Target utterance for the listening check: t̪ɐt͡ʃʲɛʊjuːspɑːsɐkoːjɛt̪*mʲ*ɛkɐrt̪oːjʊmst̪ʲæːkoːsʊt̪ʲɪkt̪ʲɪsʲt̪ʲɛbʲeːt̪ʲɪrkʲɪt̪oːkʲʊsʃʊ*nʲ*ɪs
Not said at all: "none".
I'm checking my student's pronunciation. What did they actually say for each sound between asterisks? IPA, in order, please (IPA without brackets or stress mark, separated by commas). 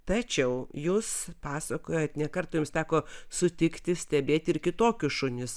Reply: nʲ, nʲ